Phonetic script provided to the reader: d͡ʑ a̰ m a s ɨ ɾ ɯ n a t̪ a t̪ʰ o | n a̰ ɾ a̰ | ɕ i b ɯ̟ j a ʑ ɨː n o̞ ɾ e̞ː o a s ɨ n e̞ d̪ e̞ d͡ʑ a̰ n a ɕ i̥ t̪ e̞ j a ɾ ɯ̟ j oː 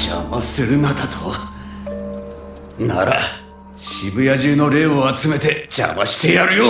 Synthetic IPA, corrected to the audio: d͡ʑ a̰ m a s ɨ ɾ ɯ n a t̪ a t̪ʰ o | n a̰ ɾ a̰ | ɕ i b ɯ̟ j a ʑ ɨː n o̞ ɾ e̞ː o a t͡s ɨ m e̞ t̪ e̞ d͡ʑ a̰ m a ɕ i̥ t̪ e̞ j a ɾ ɯ̟ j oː